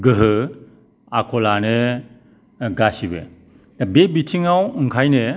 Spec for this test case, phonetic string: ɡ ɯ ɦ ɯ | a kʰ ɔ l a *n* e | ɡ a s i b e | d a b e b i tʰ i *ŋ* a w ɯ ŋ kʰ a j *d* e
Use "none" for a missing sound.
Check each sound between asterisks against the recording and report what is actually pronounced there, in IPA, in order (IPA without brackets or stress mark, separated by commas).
n, ŋ, n